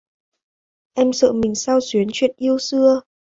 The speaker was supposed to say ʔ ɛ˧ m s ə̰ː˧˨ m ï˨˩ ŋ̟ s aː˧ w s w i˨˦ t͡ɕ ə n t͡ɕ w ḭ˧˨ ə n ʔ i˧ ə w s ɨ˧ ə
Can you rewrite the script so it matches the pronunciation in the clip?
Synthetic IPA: ʔ ɛ˧ m s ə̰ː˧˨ m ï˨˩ ŋ̟ s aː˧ w s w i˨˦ ə n t͡ɕ w ḭ˧˨ ə n ʔ i˧ ə w s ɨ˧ ə

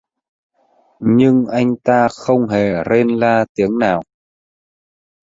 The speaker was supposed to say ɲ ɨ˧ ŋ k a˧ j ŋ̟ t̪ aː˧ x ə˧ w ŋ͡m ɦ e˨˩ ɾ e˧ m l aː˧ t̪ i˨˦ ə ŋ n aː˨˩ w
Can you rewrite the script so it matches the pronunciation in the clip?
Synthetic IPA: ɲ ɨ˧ ŋ ʔ a˧ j ŋ̟ t̪ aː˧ x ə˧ w ŋ͡m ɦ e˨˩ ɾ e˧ n l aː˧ t̪ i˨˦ ə ŋ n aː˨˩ w

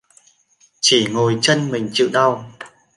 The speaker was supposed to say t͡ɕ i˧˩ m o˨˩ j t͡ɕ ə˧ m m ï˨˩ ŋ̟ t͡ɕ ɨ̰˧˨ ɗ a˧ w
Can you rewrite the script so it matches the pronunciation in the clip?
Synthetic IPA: t͡ɕ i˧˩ ŋ o˨˩ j t͡ɕ ə˧ n m ï˨˩ ŋ̟ t͡ɕ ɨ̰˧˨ ɗ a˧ w

